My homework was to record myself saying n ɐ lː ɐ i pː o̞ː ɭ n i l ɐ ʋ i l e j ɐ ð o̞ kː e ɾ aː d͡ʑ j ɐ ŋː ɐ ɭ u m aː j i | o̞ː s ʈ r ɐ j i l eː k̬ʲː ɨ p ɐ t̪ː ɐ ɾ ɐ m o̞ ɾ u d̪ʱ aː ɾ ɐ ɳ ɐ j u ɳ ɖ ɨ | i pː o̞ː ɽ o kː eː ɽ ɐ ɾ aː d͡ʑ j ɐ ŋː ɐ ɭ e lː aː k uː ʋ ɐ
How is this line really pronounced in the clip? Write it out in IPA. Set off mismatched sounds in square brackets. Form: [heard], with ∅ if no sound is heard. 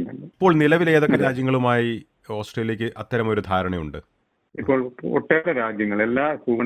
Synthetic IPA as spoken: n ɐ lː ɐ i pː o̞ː ɭ n i l ɐ ʋ i l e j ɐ ð o̞ kː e ɾ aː d͡ʑ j ɐ ŋː ɐ ɭ u m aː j i | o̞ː s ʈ r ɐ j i l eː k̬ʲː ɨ [ʔ] ɐ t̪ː ɐ ɾ ɐ m o̞ ɾ u d̪ʱ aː ɾ ɐ ɳ ɐ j u ɳ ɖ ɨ | i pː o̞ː [ɭ] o [ʈː] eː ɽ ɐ ɾ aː d͡ʑ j ɐ ŋː ɐ ɭ e lː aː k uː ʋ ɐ